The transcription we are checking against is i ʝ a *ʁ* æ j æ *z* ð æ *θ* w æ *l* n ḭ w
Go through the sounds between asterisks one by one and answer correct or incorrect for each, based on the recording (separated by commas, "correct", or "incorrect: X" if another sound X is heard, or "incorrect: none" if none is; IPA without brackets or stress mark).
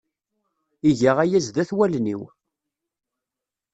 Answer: correct, correct, correct, correct